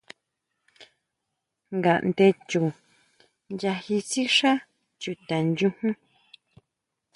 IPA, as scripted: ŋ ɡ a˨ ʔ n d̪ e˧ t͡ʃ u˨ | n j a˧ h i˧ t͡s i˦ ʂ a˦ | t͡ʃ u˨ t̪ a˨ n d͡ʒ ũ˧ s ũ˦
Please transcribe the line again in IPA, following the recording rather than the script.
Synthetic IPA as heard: ŋ ɡ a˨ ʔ n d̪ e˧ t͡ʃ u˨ | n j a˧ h i˧ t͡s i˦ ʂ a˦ | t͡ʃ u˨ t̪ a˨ n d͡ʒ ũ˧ h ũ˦

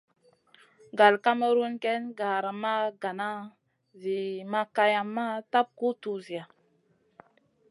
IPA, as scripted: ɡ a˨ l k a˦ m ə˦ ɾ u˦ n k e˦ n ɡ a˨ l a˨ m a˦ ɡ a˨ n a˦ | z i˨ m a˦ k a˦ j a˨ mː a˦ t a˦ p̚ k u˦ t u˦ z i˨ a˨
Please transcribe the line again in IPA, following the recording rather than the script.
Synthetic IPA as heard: ɡ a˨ l k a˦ m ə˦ ɾ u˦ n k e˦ n ɡ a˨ ɾ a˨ m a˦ ɡ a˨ n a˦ | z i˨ m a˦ k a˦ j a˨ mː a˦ t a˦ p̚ k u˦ t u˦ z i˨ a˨

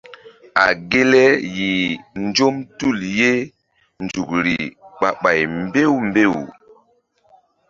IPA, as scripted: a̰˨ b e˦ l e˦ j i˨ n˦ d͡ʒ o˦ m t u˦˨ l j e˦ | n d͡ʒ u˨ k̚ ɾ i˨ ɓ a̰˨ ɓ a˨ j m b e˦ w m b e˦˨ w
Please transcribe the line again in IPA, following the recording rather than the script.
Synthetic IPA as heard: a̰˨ ɡ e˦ l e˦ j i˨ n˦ d͡ʒ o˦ m t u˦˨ l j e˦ | n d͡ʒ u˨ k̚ ɾ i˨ ɓ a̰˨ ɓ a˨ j m b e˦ w m b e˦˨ w

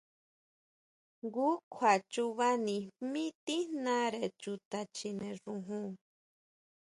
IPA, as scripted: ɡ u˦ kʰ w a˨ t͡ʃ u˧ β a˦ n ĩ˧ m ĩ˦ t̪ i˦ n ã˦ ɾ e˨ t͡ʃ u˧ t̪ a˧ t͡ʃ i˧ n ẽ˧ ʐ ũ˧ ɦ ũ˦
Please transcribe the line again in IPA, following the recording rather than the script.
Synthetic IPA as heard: ɡ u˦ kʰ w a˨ t͡ʃ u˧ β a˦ n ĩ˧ m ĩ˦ t̪ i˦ n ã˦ ɾ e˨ t͡ʃ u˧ t̪ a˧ t͡ʃ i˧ n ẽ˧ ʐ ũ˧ ɦ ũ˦

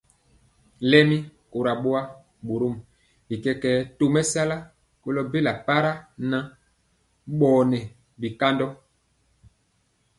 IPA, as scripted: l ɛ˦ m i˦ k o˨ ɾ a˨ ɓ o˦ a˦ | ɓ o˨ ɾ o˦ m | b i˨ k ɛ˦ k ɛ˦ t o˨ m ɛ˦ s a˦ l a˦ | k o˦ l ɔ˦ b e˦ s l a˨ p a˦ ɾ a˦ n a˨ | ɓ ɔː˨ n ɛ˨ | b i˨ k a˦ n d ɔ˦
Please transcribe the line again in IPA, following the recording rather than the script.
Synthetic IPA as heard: l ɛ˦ m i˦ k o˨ ɾ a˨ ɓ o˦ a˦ | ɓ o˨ ɾ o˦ m | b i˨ k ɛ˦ k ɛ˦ t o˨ m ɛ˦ s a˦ l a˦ | k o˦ l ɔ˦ b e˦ l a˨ p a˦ ɾ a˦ n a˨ | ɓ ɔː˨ n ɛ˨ | b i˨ k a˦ n d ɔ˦

